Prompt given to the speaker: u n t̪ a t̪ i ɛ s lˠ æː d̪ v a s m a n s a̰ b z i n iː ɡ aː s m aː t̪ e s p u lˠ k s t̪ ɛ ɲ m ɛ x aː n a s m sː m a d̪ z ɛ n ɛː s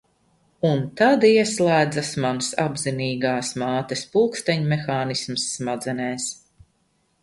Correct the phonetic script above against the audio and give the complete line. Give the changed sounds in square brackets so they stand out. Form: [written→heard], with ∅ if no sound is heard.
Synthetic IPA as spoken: u n t̪ a [t̪→d̪] i ɛ s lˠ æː d̪ [v→z] a s m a n s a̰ b z i n iː ɡ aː s m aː t̪ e s p u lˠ k s t̪ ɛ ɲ m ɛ x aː n [a→i] s m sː m a d̪ z ɛ n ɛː s